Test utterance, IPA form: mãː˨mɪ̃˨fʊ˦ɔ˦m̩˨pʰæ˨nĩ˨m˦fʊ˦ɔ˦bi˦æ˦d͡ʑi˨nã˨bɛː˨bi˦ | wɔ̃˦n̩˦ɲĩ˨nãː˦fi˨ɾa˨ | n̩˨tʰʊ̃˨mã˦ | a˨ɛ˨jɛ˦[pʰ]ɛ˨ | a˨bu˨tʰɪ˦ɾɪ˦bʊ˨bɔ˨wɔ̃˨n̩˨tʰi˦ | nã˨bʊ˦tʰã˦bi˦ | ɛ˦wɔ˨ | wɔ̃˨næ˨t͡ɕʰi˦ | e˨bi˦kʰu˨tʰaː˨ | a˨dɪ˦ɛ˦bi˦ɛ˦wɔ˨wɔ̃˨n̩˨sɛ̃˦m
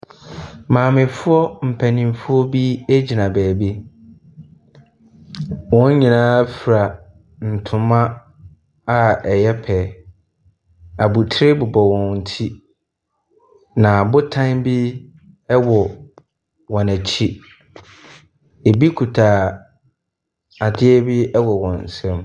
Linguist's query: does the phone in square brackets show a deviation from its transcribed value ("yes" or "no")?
no